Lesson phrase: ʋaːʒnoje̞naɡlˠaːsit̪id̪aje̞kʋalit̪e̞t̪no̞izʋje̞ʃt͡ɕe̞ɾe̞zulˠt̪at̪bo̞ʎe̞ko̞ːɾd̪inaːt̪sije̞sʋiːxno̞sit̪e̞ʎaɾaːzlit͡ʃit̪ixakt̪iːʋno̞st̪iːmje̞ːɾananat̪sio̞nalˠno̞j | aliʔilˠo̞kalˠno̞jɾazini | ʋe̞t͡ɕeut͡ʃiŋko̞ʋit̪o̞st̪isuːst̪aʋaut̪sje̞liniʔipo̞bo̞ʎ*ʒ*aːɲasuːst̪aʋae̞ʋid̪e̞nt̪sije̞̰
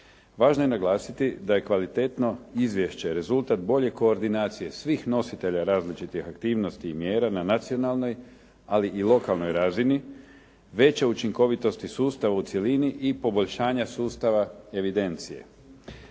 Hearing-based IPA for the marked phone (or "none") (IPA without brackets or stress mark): ʃ